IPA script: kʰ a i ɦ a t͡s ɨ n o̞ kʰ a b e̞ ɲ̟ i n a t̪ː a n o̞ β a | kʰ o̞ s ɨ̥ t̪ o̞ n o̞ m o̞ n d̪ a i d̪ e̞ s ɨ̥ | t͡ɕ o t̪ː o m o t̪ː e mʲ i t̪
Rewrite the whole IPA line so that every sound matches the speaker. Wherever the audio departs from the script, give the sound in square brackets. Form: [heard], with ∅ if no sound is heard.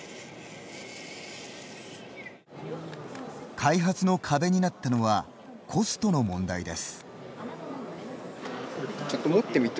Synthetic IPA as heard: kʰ a i ɦ a t͡s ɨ n o̞ kʰ a b e̞ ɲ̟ i n a t̪ː a n o̞ β a | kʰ o̞ s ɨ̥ t̪ o̞ n o̞ m [õ̞] n d̪ a i d̪ e̞ s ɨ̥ | t͡ɕ o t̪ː o m o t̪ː e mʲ i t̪